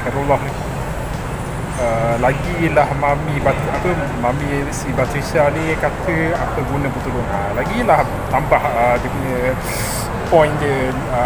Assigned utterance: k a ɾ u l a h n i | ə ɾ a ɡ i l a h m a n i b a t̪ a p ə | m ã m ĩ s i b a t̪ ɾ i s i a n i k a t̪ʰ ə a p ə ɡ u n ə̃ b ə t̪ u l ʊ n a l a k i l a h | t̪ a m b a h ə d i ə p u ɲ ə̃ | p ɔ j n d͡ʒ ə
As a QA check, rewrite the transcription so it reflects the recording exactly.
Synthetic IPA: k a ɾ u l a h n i | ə l a ɡ i l a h m a m i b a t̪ a p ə | m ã m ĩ s i b a t̪ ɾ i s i a n i k a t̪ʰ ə a p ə ɡ u n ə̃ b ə t̪ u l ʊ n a l a ɡ i l a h | t̪ a m b a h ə d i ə p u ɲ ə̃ | p ɔ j n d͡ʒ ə

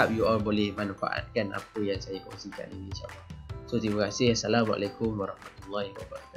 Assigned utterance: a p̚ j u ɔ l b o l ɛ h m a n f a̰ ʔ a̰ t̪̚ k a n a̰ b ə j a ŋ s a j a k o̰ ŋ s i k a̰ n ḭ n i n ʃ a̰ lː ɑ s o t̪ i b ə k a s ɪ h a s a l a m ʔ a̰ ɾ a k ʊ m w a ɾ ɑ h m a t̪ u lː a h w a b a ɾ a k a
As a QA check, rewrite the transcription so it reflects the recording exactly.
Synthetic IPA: a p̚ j u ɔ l b o l ɛ h m a n f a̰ ʔ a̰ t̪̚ k a n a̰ p ə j a ŋ s a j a k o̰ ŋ s i k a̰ n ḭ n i n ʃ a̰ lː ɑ s o t̪ i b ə k a s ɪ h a s a l a m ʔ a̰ l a k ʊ m w a ɾ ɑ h m a t̪ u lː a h w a b a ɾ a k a

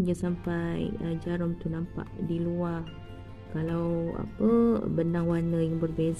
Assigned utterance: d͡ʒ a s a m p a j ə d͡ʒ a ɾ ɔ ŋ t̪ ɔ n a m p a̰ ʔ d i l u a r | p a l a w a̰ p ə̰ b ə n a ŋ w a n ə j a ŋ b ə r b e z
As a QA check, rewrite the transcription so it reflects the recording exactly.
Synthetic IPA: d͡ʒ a s a m p a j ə d͡ʒ a ɾ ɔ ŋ t̪ u n a m p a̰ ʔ d i l u a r | k a l a w a̰ p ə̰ b ə n a ŋ w a n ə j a ŋ b ə r b e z

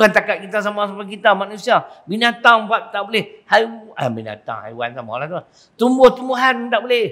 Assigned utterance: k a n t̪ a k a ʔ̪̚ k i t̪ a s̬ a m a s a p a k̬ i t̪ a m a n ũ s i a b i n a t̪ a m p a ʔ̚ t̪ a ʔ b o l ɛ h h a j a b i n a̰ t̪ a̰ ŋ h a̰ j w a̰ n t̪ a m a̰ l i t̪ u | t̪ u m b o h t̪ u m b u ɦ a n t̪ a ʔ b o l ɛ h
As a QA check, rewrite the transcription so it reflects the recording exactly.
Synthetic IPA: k a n t̪ a k a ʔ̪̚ k i t̪ a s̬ a m a s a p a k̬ i t̪ a m a n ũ s i a b i n a t̪ a ŋ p a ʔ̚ t̪ a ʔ b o l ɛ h h a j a b i n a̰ t̪ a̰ ŋ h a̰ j w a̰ n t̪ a m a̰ l a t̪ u | t̪ u m b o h t̪ u m b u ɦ a n t̪ a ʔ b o l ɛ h

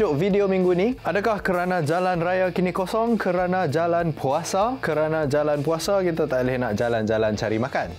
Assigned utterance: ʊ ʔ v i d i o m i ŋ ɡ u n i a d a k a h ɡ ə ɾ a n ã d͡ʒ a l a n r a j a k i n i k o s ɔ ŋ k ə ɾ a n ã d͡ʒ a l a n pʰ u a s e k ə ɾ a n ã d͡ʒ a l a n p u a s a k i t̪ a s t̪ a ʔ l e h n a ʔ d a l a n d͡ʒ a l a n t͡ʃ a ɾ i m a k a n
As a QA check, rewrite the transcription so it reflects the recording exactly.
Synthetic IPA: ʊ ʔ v i d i o m i ŋ ɡ u n i a d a k a h k ə ɾ a n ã d͡ʒ a l a n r a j a k i n i k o s ɔ ŋ k ə ɾ a n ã d͡ʒ a l a n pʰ u a s a k ə ɾ a n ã d͡ʒ a l a n p u a s a k i t̪ a t̪ a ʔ l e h n a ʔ d͡ʒ a l a n d͡ʒ a l a n t͡ʃ a ɾ i m a k a n

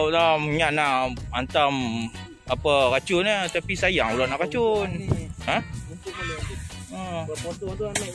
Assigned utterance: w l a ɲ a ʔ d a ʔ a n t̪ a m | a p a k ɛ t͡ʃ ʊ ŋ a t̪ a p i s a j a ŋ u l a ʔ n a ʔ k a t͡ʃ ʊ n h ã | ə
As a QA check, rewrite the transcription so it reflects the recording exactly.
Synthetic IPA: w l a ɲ a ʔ n a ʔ a n t̪ a m | a p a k a t͡ʃ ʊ n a t̪ a p i s a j a ŋ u l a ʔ n a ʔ k a t͡ʃ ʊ n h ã | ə

